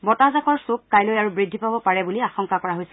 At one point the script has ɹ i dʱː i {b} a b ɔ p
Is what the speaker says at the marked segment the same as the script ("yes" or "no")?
no